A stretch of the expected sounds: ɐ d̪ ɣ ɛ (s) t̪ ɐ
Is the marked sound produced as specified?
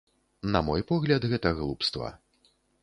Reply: no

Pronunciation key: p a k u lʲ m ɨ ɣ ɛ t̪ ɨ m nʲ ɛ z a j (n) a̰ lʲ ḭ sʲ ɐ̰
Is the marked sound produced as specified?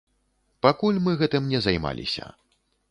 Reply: no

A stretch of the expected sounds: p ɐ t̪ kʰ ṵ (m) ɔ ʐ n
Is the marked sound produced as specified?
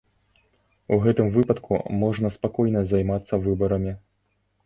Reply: yes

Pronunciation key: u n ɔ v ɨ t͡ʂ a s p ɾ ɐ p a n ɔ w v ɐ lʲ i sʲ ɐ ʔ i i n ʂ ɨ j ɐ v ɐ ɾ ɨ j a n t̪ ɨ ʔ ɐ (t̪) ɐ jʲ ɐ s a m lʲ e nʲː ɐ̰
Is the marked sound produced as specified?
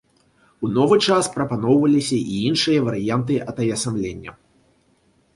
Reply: yes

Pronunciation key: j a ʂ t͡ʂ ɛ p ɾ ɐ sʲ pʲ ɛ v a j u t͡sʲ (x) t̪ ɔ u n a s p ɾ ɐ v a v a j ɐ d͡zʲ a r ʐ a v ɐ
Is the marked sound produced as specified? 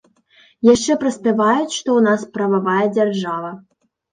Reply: no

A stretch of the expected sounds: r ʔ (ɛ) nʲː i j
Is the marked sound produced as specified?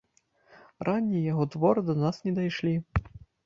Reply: no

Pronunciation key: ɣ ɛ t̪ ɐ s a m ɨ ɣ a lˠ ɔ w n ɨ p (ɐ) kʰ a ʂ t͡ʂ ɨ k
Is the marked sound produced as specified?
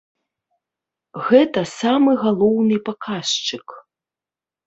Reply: no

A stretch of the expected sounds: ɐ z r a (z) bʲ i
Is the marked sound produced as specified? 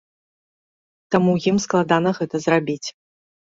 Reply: no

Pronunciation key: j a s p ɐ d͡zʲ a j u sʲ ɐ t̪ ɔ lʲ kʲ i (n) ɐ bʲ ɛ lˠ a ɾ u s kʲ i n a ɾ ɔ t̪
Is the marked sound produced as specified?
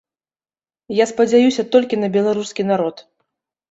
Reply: yes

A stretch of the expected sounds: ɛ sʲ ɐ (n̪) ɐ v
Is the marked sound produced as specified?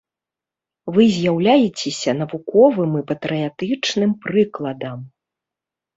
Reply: yes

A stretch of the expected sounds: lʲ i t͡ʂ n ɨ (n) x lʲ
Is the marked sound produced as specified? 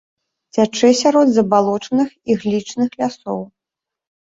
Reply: no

